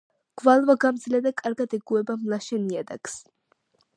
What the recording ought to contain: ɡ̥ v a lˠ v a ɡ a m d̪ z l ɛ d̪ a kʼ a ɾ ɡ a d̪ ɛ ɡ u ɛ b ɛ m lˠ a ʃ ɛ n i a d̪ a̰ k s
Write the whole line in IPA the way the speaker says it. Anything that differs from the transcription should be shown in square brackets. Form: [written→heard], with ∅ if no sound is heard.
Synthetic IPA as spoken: ɡ̥ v a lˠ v a ɡ a m d̪ z l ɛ d̪ a kʼ a ɾ ɡ a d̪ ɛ ɡ u ɛ b [ɛ→a] m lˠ a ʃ ɛ n i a d̪ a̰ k s